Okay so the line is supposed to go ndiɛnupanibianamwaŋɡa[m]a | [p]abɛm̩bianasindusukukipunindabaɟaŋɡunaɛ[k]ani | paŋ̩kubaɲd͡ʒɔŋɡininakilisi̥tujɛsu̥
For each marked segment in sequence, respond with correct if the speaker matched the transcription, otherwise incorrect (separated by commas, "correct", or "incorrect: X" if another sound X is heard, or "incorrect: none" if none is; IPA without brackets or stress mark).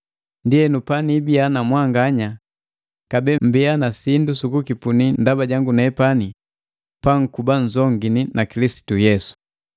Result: incorrect: ɲ, incorrect: k, incorrect: p